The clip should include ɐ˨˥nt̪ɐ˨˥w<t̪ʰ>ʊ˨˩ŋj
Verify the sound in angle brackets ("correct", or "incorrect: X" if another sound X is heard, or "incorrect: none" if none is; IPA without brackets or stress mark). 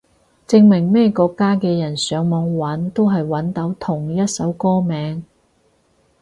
correct